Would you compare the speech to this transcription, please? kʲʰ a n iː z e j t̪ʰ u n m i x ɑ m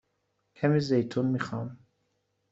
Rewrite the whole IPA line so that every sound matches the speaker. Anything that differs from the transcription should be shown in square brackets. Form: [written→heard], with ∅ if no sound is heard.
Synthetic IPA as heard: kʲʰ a [n→m] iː z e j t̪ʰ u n m i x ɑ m